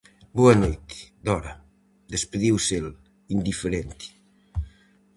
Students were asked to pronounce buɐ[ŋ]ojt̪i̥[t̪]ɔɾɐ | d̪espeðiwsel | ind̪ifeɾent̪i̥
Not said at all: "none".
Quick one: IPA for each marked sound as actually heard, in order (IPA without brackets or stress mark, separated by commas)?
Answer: n, d̪